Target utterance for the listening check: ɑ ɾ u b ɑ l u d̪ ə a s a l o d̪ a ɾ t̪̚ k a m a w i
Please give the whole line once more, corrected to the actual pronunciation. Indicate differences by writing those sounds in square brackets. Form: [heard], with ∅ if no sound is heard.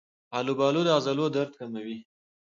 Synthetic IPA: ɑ [l] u b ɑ l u d̪ ə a [z] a l o d̪ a ɾ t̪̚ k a m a w i

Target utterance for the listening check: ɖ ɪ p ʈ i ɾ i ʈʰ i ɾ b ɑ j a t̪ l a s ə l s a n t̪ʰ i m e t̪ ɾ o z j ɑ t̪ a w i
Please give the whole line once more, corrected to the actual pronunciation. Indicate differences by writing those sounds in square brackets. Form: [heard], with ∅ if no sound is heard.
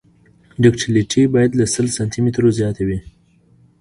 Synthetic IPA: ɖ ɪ [k] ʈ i [l] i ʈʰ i [∅] b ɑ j a [d̪] l a s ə l s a n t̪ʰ i m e t̪ ɾ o z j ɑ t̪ a w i

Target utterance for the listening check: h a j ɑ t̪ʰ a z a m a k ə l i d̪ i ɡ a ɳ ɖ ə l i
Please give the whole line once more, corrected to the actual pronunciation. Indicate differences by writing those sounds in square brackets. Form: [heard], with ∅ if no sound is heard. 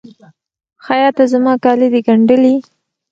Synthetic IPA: [x] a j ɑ [t̪] a z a m [ɑ] k [ɑ] l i d̪ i ɡ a ɳ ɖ ə l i

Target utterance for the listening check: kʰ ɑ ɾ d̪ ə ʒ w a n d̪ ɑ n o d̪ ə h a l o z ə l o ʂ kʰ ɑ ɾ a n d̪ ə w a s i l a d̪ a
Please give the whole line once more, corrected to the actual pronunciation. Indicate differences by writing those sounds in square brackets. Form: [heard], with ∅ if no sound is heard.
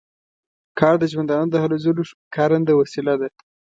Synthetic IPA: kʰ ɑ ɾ d̪ ə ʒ w a n d̪ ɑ n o d̪ ə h a l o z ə l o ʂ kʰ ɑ ɾ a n d̪ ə w a s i l a d̪ a

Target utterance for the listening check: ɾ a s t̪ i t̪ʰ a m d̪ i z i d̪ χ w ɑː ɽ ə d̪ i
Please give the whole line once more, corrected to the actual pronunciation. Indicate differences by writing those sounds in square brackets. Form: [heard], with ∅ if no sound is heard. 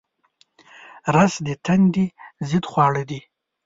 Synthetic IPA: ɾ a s [d̪] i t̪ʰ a [n] d̪ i z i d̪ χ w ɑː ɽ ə d̪ i

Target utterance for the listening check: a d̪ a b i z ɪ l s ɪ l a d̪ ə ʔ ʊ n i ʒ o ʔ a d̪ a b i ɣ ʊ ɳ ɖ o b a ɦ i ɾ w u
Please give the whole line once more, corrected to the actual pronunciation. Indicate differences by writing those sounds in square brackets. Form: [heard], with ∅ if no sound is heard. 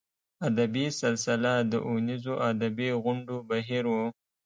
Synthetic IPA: a d̪ a b i [s] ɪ l s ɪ l a d̪ ə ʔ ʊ n i [z] o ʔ a d̪ a b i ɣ ʊ ɳ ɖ o b a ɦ i ɾ w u

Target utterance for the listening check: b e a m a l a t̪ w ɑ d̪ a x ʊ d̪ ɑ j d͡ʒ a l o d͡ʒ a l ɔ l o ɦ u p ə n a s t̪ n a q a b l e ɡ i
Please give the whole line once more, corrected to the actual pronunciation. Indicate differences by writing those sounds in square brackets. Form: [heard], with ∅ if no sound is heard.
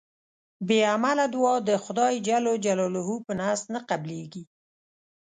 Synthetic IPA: b e a m a l a [d̪] w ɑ d̪ [ə] x ʊ d̪ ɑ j d͡ʒ a l o d͡ʒ a l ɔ l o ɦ u p ə n a s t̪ n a q a b l e ɡ i

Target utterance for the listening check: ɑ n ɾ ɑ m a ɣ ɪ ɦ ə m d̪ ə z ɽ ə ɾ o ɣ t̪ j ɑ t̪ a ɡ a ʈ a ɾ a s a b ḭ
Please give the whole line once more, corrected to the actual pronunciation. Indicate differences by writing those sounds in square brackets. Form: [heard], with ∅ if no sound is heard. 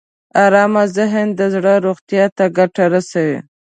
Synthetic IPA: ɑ [∅] ɾ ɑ m a [z] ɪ ɦ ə [n] d̪ ə z ɽ ə ɾ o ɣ t̪ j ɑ t̪ a ɡ a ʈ a ɾ a s a [w] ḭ

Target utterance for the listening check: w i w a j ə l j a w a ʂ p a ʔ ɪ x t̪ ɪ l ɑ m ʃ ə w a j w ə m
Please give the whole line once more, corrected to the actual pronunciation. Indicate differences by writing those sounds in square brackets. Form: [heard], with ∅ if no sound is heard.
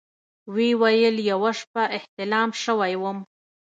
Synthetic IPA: w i w a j ə l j a w a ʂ p a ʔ ɪ [h] t̪ ɪ l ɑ m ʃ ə w a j w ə m

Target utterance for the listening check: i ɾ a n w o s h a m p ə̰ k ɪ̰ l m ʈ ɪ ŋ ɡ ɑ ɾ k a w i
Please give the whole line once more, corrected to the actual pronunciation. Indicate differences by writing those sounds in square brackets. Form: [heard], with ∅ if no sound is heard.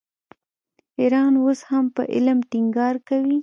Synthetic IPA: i ɾ [ɑ] n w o s h a m p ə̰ [ʔ] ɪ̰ l m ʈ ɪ ŋ ɡ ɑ ɾ k a w i

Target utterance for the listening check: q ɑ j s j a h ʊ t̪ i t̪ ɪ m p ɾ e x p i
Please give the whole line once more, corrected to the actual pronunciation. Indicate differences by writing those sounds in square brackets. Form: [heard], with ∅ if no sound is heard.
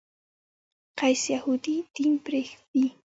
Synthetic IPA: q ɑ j s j a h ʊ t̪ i t̪ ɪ m p ɾ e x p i

